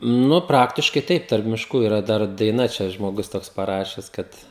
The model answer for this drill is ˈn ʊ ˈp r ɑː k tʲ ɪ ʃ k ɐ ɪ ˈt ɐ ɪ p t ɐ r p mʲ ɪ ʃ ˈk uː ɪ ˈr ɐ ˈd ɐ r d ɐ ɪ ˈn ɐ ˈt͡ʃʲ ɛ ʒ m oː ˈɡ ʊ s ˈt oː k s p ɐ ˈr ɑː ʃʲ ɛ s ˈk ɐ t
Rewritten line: ˈn ʊ ˈp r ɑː k tʲ ɪ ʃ k ɐ ɪ ˈt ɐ ɪ p t ɐ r p mʲ ɪ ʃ ˈk uː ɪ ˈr ɐ ˈd ɐ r d ɐ ɪ ˈn ɐ ˈt͡ʃʲ ɛ ʒ m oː ˈɡ ʊ s ˈt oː k s p ɐ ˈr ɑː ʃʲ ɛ s ˈk ɐ t